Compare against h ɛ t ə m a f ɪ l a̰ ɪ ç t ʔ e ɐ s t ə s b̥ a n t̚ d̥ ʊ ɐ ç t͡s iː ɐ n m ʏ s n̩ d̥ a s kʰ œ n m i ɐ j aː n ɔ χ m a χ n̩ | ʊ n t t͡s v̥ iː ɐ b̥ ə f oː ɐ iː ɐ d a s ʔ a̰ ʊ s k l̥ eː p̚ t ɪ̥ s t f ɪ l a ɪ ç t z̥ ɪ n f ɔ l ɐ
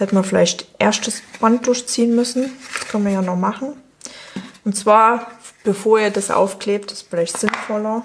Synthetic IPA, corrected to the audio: h ɛ t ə m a f ɪ l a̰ ɪ ç t ʔ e ɐ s t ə s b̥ a n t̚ d̥ ʊ ɐ ç t͡s iː ə n m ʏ s n̩ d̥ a s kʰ œ n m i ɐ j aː n ɔ χ m a χ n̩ | ʊ n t t͡s v̥ aː ɐ b̥ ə f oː ɐ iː ɐ d a s ʔ a̰ ʊ f k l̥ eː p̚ t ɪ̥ s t f ɪ l a ɪ ç t z̥ ɪ n f ɔ l ɐ